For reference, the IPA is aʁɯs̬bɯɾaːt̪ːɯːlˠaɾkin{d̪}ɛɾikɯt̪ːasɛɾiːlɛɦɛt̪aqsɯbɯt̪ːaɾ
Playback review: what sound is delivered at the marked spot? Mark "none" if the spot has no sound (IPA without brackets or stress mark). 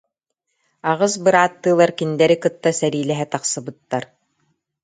d̪